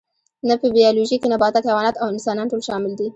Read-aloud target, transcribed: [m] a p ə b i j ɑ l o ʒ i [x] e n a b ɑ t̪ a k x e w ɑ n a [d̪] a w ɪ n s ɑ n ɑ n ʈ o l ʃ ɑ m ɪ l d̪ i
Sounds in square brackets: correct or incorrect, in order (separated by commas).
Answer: incorrect, incorrect, incorrect